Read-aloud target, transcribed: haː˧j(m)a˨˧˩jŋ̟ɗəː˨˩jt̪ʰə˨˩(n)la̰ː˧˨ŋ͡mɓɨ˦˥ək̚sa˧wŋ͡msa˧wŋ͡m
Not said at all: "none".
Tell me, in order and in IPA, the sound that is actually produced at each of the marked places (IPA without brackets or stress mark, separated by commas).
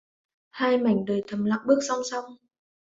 m, m